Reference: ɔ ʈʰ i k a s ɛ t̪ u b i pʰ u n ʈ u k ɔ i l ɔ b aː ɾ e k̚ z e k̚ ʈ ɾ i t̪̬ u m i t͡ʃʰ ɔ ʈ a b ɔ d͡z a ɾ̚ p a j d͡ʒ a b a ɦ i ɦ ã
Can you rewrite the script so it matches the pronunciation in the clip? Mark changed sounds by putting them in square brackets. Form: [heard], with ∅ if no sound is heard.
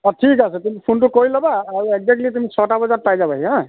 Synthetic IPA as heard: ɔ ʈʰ i k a s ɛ t̪ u [m] i pʰ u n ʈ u k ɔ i l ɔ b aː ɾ e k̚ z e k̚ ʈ [l] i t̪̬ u m i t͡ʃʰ ɔ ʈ a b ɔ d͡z a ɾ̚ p a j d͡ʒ a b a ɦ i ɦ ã